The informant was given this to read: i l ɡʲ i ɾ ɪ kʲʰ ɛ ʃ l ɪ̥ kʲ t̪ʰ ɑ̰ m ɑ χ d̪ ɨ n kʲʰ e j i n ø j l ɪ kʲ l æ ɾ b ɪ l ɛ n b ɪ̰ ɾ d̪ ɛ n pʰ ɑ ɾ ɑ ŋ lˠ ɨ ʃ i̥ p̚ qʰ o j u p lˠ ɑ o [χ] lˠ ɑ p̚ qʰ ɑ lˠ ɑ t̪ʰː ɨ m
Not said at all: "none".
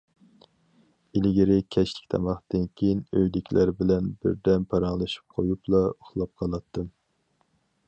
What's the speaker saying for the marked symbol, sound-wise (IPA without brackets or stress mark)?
χ